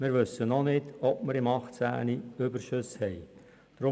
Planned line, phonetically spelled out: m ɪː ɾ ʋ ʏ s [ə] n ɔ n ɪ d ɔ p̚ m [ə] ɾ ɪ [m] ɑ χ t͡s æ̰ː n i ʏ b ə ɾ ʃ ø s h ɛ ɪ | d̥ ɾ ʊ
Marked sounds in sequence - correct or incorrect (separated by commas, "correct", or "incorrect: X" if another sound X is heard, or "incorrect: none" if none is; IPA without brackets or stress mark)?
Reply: correct, correct, correct